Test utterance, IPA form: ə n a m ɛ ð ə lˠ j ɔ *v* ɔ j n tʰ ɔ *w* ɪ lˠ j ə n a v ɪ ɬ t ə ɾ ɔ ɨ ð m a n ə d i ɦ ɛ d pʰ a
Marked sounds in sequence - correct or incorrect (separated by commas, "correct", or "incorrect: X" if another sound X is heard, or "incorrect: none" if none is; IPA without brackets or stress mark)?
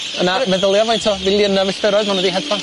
correct, incorrect: v